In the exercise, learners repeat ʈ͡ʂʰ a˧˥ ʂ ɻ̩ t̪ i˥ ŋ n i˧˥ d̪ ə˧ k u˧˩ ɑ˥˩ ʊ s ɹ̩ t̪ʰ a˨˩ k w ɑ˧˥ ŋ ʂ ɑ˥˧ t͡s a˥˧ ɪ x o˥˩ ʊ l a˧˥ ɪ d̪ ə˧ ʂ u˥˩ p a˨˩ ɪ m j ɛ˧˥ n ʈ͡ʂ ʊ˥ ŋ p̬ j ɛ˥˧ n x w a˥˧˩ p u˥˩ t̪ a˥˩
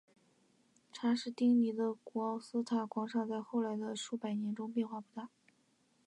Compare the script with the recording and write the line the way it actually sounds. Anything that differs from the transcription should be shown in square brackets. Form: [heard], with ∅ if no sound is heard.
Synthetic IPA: ʈ͡ʂʰ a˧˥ ʂ ɻ̩ t̪ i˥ ŋ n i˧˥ d̪ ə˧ k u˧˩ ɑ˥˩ ʊ s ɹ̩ t̪ʰ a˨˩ k w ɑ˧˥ ŋ ʂ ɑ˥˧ t͡s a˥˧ ɪ x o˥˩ ʊ l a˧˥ ɪ d̪ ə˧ ʂ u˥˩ p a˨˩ ɪ [n] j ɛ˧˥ n ʈ͡ʂ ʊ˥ ŋ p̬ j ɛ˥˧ n x w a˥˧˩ p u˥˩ t̪ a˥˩